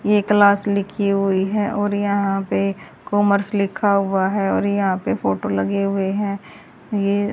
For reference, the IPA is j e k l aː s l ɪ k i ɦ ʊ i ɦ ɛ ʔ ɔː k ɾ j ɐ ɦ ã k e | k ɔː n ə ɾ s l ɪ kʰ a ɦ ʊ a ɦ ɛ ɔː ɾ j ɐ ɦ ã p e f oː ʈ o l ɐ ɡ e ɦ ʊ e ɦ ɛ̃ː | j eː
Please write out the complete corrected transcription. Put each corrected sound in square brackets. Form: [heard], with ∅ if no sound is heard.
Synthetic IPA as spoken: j e k l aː s l ɪ [kʰ] i ɦ ʊ i ɦ ɛ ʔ ɔː [∅] ɾ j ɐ ɦ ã [p] e | k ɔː [m] ə ɾ s l ɪ kʰ a ɦ ʊ a ɦ ɛ ɔː ɾ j ɐ ɦ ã p e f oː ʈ o l ɐ ɡ e ɦ ʊ e ɦ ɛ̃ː | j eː